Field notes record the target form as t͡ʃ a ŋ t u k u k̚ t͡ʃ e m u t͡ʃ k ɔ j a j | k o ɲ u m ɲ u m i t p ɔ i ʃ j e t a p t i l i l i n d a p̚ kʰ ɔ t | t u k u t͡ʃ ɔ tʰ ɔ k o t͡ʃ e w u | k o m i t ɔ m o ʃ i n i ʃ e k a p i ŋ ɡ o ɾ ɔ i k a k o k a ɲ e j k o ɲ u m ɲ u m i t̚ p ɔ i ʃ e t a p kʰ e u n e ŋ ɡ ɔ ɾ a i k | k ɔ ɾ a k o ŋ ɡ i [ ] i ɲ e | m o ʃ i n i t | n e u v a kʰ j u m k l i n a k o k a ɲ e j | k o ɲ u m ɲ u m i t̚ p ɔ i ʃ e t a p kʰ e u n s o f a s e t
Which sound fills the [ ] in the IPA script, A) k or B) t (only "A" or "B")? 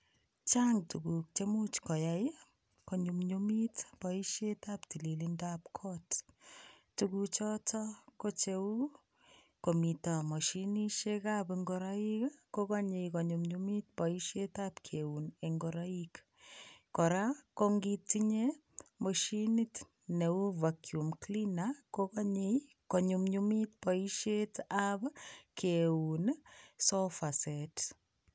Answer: B